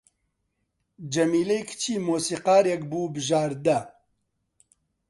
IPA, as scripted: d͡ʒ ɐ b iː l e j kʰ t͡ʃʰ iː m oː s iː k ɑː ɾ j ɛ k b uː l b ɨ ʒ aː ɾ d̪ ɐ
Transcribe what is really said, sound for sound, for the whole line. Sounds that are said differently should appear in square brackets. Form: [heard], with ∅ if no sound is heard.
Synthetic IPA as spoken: d͡ʒ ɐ [m] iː l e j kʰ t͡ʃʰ iː m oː s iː [q] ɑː ɾ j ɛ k b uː [∅] b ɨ ʒ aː ɾ d̪ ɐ